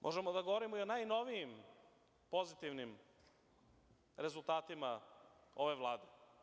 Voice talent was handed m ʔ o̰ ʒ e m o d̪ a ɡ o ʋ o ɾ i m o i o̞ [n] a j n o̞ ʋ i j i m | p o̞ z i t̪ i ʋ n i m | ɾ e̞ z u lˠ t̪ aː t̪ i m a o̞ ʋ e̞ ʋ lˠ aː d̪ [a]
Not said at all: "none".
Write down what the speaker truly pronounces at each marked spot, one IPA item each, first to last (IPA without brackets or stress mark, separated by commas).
n, e